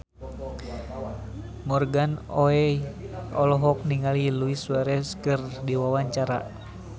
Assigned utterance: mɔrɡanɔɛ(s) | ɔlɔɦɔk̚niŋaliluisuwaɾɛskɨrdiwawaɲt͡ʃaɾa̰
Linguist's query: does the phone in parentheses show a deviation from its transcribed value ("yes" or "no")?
yes